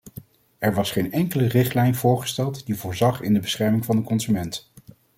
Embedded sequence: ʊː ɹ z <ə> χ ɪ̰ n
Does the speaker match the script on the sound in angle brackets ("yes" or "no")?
no